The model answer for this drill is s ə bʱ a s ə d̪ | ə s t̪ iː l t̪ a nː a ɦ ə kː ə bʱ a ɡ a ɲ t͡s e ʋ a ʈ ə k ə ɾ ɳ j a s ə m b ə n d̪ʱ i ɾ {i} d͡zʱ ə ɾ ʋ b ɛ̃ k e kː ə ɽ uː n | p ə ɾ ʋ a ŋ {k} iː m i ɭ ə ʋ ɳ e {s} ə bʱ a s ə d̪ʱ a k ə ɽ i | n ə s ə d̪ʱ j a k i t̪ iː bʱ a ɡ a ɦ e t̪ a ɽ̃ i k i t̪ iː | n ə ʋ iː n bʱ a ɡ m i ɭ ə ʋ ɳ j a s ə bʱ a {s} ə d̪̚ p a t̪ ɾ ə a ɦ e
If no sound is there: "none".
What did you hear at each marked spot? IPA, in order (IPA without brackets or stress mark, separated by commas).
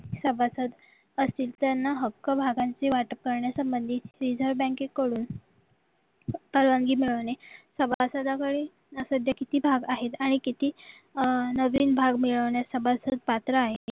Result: i, ɡ, s, s